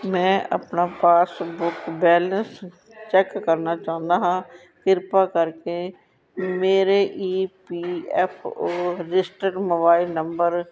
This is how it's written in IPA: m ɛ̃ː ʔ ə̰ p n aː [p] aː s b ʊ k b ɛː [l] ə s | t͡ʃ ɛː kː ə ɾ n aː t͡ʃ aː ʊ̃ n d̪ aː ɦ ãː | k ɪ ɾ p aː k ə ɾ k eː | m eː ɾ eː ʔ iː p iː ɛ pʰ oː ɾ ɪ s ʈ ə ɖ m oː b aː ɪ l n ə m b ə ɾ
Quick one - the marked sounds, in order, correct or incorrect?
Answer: correct, correct

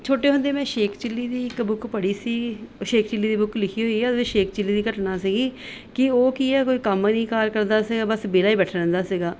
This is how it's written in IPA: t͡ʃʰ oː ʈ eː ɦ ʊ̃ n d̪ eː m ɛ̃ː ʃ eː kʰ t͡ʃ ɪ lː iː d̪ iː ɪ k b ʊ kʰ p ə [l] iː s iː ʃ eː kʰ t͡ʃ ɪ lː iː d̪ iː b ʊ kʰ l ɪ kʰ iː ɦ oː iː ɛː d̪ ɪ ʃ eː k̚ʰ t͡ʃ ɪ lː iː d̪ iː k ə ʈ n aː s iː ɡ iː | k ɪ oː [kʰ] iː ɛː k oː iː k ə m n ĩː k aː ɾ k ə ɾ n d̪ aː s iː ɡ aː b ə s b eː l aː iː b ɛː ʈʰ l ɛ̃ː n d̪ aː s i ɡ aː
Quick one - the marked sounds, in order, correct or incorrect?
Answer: incorrect, incorrect

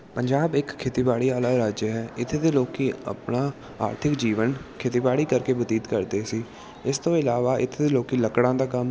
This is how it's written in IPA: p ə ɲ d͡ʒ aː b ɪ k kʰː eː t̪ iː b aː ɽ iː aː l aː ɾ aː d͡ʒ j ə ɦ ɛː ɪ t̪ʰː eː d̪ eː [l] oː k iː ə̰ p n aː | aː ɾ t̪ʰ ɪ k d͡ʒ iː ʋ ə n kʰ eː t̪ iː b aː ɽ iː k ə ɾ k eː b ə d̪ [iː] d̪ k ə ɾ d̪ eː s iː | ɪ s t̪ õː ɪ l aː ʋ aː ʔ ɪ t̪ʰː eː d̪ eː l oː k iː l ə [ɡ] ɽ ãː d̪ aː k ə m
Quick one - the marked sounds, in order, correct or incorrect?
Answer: correct, correct, incorrect

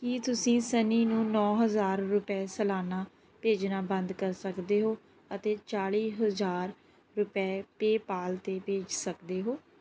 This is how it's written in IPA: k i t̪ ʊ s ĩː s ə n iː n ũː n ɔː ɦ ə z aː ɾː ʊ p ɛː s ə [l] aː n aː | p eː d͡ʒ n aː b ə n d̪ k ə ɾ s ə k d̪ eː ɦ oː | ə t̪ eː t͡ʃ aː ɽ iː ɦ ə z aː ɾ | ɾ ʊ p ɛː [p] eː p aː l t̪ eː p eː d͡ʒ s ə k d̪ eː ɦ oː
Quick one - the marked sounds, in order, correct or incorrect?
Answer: correct, correct

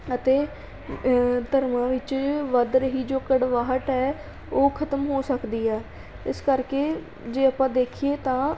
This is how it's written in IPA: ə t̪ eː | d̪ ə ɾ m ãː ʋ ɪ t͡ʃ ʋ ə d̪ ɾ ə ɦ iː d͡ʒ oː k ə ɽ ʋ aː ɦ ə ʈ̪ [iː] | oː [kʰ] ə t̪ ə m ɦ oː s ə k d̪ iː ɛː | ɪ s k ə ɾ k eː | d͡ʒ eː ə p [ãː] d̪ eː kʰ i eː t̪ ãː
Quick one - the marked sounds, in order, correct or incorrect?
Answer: incorrect, correct, correct

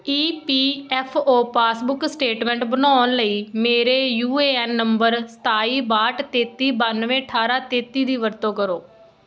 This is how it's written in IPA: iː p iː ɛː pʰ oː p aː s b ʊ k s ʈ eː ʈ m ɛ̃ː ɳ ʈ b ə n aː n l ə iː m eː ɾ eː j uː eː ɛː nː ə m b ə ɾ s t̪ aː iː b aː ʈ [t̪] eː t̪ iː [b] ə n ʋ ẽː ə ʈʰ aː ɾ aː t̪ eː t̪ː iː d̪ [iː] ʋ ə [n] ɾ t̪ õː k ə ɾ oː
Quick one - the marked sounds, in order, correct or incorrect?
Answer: correct, correct, correct, incorrect

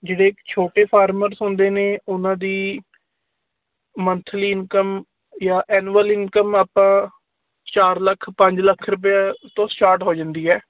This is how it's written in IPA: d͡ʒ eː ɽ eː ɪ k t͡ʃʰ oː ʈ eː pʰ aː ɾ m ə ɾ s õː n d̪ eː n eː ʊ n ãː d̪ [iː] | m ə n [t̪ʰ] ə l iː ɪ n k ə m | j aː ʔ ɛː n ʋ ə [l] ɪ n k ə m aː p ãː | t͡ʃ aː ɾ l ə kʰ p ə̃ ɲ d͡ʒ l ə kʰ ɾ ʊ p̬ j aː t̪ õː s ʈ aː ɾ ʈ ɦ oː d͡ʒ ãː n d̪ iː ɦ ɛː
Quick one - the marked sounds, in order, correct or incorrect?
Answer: correct, correct, correct

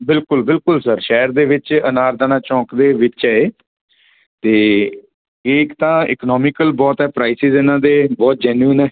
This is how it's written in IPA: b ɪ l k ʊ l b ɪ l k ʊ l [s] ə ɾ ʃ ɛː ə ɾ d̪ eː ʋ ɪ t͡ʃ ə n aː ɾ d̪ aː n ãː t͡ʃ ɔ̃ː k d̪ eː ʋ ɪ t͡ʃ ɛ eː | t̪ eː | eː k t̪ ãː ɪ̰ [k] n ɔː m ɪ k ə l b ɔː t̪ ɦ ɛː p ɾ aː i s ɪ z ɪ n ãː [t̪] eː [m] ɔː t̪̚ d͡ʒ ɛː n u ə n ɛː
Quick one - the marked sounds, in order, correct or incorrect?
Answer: correct, correct, incorrect, incorrect

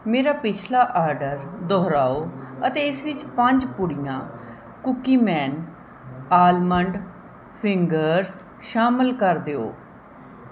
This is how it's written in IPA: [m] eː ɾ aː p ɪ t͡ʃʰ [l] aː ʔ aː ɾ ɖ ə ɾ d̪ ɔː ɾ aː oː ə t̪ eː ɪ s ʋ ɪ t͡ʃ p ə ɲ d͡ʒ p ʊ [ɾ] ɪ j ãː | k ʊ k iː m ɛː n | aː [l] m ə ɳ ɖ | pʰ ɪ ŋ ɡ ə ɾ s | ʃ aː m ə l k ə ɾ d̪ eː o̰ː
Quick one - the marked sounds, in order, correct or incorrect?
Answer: correct, correct, incorrect, correct

